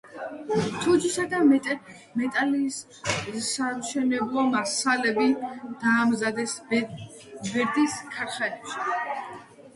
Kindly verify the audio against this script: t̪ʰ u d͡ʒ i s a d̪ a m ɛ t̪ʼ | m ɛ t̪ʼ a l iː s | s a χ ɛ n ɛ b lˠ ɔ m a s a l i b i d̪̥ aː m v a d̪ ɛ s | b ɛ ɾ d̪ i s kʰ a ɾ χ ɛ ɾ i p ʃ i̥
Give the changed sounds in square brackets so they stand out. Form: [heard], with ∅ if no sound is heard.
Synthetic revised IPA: t̪ʰ u d͡ʒ i s a d̪ a m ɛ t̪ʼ | m ɛ t̪ʼ a l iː s | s a [ʃ] ɛ n ɛ b lˠ ɔ m a s a l [ɛ] b i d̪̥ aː m [z] a d̪ ɛ s | b ɛ ɾ d̪ i s kʰ a ɾ χ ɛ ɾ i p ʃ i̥